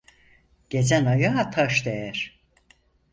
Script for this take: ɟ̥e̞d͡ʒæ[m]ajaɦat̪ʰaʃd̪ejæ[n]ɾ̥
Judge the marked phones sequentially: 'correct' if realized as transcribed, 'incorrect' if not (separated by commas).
incorrect, incorrect